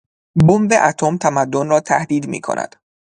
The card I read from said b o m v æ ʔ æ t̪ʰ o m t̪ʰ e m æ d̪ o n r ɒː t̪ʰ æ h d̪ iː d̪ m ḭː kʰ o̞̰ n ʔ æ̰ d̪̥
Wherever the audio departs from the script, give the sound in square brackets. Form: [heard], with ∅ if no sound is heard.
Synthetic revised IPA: b o m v [e] ʔ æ t̪ʰ o m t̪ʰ [æ] m æ [d̪ː] o n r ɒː t̪ʰ æ h d̪ iː d̪ m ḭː kʰ o̞̰ n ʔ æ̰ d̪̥